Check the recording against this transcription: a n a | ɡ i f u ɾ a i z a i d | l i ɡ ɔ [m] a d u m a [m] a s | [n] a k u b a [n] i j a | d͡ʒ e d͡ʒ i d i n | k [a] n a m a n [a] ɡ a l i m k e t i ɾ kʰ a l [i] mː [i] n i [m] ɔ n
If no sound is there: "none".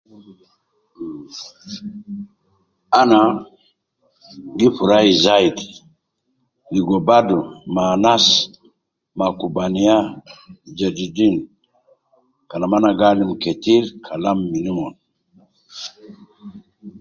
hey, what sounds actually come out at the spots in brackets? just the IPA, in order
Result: b, n, m, n, a, a, a, i, m

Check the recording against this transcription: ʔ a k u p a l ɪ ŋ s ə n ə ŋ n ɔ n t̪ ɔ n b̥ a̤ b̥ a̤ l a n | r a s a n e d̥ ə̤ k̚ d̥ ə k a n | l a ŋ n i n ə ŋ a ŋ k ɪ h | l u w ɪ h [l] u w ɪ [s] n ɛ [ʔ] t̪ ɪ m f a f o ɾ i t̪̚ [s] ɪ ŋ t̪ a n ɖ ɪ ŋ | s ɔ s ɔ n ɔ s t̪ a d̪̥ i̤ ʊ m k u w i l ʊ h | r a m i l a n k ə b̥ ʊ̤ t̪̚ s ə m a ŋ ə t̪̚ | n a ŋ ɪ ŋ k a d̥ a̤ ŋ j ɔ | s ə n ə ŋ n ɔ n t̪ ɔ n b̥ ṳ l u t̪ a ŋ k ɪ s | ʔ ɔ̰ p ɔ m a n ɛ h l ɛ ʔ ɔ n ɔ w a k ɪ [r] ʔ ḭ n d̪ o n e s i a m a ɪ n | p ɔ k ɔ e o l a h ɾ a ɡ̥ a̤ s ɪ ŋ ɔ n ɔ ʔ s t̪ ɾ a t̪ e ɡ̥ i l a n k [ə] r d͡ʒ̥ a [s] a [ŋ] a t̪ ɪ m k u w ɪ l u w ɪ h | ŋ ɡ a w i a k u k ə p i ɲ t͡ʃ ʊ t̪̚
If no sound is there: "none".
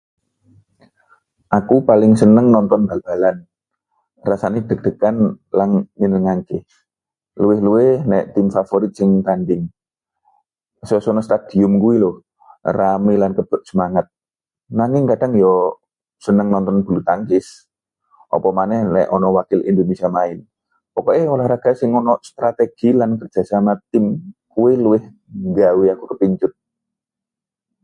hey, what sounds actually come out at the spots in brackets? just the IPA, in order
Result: l, h, ʔ, s, l, ə, s, m

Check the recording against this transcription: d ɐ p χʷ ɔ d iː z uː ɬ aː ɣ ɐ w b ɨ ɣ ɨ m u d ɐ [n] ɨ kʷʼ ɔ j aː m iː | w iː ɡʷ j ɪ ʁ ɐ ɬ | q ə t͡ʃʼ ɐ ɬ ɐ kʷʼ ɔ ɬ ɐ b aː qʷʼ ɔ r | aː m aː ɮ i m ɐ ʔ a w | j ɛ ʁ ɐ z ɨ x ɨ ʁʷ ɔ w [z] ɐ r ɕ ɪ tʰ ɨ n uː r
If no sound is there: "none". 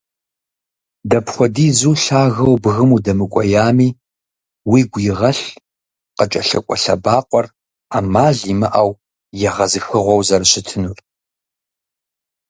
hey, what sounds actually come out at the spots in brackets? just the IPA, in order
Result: m, z

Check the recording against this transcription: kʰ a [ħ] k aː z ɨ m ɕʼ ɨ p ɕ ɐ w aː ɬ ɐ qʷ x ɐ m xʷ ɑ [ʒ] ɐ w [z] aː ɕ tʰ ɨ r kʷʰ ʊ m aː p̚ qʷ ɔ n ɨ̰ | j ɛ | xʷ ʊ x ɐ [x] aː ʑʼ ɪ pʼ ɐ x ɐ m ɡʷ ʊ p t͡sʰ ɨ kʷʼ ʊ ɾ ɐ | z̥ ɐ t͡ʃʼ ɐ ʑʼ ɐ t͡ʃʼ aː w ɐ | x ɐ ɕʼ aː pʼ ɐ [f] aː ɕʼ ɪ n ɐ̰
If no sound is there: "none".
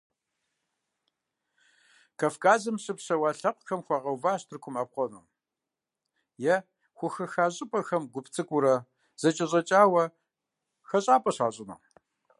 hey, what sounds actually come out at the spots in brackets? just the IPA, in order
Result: f, ʁ, v, x, ɕ

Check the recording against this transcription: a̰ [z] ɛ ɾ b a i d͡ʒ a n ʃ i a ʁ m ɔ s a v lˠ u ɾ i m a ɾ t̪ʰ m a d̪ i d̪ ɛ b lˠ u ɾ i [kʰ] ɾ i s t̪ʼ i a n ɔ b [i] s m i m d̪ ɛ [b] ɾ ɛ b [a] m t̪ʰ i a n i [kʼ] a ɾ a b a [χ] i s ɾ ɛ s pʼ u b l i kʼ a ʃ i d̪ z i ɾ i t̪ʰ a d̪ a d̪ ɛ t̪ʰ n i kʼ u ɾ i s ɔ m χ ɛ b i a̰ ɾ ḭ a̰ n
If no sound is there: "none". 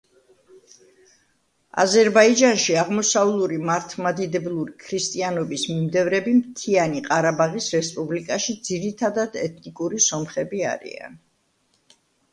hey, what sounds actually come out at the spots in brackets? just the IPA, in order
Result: z, kʰ, i, v, i, qʼ, ʁ

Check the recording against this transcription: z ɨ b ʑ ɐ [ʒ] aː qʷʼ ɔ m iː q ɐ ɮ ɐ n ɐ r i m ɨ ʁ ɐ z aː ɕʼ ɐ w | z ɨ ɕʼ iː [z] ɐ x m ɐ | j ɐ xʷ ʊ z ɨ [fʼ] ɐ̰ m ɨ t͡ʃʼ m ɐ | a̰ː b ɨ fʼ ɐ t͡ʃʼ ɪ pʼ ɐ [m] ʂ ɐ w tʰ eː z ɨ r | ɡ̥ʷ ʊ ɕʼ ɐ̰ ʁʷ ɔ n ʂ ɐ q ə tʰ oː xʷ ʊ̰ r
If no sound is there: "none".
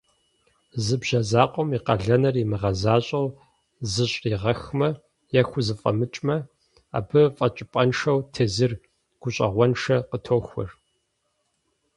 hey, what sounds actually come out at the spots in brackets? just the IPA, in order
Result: z, ʁ, fʼ, n

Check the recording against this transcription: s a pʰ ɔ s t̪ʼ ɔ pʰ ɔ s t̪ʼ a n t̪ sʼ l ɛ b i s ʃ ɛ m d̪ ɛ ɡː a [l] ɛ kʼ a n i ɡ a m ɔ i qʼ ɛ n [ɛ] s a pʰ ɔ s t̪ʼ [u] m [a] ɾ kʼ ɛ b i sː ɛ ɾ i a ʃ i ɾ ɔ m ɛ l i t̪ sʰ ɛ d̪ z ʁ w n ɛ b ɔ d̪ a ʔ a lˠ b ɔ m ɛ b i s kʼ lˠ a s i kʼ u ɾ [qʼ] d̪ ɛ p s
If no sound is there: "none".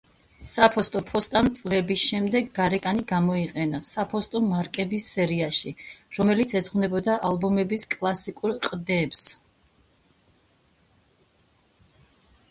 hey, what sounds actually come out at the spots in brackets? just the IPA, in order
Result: ɾ, a, ɔ, a, qʼ

